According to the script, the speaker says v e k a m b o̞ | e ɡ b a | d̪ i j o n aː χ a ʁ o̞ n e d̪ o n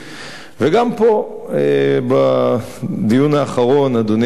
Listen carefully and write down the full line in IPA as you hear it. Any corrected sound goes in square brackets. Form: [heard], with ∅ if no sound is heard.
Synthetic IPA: v e [ɡ] a m [p] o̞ | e [∅] b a | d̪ i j [u] n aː χ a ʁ o̞ n [a] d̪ o n